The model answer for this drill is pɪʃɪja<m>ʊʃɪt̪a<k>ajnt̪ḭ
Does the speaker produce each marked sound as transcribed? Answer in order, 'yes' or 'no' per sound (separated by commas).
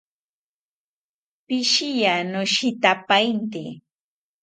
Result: no, no